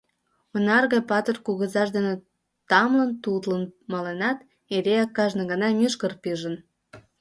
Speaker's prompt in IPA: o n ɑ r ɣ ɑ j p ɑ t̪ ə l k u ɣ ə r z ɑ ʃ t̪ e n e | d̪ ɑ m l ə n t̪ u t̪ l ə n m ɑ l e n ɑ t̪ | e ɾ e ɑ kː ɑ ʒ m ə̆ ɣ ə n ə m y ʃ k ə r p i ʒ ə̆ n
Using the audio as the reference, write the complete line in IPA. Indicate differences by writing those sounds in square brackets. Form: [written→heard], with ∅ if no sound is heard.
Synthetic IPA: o n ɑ r ɣ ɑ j p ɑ t̪ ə [l→r] k u ɣ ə [r→∅] z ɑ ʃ [t̪→d̪] e n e | [d̪→t̪] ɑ m l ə n t̪ u t̪ l ə n m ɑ l e n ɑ t̪ | e ɾ e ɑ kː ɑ ʒ [m→n] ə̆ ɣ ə n [ə→ɑ] m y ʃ k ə r p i ʒ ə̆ n